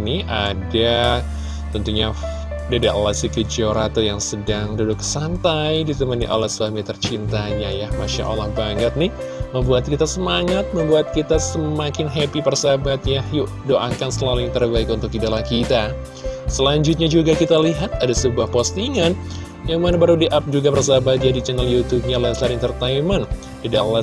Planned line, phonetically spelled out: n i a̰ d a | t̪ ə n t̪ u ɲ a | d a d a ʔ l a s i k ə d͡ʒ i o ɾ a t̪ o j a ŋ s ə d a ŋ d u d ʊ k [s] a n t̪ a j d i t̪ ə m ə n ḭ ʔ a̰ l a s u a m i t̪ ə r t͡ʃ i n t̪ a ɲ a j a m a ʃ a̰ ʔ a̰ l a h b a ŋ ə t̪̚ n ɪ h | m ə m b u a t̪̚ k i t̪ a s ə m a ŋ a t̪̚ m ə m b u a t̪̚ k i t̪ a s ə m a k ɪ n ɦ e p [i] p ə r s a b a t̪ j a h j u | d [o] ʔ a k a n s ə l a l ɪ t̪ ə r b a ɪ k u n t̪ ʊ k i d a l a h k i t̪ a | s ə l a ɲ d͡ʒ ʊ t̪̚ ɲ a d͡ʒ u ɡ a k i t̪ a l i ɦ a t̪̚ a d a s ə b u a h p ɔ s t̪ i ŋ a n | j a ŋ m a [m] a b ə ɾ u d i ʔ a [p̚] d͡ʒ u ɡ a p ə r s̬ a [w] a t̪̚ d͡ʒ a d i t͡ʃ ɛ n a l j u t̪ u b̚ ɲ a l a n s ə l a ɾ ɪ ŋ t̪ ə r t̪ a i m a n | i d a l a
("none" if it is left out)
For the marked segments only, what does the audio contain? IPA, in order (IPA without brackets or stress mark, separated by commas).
s, i, o, n, p̚, b